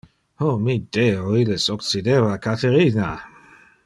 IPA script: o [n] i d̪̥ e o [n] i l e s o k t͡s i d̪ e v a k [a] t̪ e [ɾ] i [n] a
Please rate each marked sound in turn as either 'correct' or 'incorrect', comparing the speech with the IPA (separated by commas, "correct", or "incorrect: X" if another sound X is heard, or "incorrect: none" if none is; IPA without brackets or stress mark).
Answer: incorrect: m, incorrect: none, correct, correct, correct